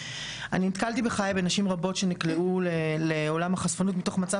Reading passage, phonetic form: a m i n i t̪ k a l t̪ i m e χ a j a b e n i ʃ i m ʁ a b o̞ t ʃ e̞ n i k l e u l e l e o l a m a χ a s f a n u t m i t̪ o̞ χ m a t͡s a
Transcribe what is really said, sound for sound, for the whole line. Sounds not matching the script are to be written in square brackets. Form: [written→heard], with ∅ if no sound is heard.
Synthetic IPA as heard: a [m→n] i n i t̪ k a l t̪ i [m→b] e χ a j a b e n [i→a] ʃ i m ʁ a b o̞ t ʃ e̞ n i k l e u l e l e o l a m a χ a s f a n u t m i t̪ o̞ χ m a t͡s a